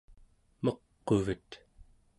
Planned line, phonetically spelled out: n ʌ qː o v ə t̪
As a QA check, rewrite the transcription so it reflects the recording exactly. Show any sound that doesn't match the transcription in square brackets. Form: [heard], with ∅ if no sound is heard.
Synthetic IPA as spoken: [m] ʌ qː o v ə t̪